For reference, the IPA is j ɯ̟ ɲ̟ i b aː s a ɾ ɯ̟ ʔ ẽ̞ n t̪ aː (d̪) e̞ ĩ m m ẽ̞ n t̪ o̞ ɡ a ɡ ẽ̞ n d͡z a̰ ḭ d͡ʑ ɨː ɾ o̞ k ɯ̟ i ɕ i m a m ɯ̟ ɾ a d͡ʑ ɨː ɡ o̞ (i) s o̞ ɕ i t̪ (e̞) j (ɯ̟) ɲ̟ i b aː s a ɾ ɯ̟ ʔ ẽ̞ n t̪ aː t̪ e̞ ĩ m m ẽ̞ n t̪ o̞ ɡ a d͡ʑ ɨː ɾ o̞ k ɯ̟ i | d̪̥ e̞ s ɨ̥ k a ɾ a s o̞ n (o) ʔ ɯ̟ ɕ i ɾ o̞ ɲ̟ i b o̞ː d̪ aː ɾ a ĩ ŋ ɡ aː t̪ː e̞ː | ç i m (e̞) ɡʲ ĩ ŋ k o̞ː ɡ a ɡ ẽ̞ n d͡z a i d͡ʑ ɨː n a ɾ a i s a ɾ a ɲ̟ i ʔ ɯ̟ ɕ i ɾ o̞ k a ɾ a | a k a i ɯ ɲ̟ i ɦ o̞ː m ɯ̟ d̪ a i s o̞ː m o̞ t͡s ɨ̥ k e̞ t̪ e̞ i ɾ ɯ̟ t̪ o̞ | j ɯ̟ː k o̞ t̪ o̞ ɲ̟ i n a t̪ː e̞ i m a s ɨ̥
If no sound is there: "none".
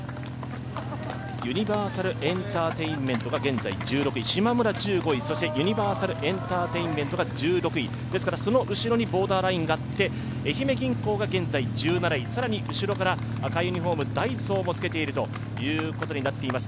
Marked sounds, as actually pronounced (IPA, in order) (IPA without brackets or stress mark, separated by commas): t̪, i, e̞, ɯ̟, o, e̞